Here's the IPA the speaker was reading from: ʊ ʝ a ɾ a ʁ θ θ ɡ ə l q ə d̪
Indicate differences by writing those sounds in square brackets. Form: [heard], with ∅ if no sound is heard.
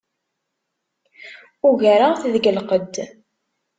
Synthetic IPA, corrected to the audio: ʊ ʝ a ɾ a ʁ θ [ð] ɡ ə l q ə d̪